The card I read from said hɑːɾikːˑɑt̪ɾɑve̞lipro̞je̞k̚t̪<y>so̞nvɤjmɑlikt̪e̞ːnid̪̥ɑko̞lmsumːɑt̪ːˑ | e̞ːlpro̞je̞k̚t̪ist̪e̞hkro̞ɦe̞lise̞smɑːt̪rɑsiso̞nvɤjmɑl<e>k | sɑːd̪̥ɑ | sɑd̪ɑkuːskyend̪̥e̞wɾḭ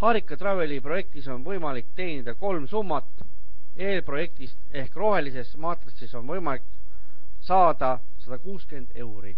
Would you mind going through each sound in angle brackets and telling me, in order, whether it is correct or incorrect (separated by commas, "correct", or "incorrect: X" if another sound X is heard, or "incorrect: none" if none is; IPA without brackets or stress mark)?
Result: incorrect: i, incorrect: i